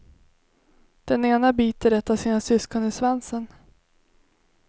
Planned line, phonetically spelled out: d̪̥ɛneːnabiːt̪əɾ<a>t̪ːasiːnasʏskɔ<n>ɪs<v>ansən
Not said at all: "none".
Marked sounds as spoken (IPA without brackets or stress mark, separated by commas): ɛ, n, v